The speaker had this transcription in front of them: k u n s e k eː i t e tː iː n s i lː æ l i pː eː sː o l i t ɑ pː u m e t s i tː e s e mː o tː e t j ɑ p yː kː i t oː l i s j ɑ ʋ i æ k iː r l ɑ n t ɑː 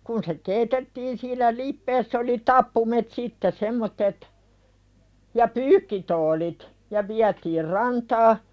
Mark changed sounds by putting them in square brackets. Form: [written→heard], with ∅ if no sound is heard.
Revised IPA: k u n s e k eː i t e tː iː n s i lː æ l i pː eː sː o l i t ɑ pː u m e t s i tː e s e mː o tː e t j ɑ p yː kː i t oː l i [s→t] j ɑ ʋ i æ [k→t] iː r [l→r] ɑ n t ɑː